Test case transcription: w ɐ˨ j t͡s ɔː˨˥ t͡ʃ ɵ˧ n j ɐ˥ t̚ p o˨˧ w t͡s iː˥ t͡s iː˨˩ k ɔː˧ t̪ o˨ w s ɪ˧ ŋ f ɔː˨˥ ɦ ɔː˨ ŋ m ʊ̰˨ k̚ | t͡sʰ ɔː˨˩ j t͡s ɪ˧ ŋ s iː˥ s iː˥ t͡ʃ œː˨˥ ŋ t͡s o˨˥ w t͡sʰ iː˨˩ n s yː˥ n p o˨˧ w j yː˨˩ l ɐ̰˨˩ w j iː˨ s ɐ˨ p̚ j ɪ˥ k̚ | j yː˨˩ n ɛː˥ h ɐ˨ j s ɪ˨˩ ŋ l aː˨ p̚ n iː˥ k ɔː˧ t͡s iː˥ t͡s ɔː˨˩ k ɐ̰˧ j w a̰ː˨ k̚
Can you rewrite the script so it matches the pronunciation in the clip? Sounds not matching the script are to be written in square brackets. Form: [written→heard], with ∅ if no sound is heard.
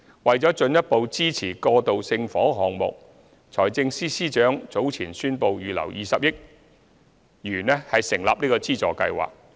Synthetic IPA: w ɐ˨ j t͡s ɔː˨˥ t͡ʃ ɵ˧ n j ɐ˥ t̚ p o˨˧ w t͡s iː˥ [t͡s→t͡sʰ] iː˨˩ k ɔː˧ t̪ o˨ w s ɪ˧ ŋ f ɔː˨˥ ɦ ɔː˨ ŋ m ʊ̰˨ k̚ | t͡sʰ ɔː˨˩ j t͡s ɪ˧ ŋ s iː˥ s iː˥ t͡ʃ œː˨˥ ŋ t͡s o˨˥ w t͡sʰ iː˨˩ n s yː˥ n p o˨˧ w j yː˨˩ l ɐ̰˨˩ w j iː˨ s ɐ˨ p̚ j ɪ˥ k̚ | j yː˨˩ n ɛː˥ h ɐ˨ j s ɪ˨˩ ŋ l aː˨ p̚ n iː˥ k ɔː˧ t͡s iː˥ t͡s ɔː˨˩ k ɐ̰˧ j w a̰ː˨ k̚